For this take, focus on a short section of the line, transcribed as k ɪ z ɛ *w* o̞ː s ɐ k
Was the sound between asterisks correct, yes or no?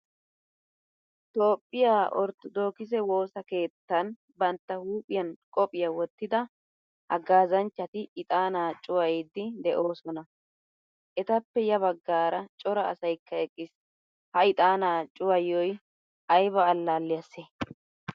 yes